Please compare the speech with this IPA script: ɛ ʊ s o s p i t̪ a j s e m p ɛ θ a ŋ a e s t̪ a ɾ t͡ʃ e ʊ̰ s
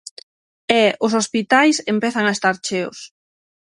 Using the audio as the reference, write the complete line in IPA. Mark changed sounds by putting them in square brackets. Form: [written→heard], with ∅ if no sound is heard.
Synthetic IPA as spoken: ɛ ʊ s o s p i t̪ a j s e m p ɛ θ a ŋ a e s t̪ a ɾ t͡ʃ e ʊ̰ s